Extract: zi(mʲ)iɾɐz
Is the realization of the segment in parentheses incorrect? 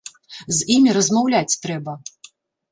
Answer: no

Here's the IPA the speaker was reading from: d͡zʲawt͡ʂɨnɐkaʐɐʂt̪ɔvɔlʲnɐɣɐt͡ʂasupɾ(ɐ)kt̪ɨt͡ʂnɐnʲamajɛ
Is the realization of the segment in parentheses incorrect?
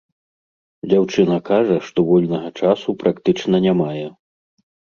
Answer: yes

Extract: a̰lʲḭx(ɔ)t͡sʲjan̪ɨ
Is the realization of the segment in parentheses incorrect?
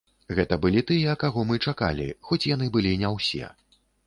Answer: no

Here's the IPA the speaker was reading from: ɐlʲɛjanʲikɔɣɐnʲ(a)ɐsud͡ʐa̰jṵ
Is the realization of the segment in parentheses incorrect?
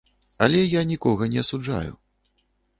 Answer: yes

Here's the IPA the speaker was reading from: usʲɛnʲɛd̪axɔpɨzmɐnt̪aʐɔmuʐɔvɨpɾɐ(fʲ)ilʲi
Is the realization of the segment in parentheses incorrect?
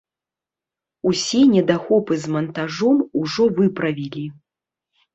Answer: yes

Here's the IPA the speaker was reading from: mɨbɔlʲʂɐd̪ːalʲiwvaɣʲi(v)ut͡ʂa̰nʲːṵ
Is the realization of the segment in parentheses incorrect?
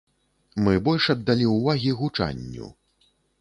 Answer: yes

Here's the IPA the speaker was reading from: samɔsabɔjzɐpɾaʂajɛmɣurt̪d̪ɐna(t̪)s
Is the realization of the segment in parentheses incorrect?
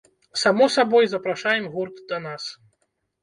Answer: yes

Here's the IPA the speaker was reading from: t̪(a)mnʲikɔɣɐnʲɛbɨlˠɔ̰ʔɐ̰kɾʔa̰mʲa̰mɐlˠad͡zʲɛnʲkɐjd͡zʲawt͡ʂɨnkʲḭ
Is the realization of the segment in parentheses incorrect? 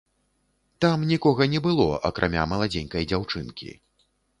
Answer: no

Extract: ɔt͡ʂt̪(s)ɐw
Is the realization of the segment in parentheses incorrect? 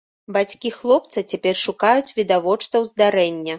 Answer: no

